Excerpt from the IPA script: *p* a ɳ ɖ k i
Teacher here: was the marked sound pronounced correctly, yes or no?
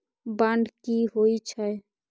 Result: no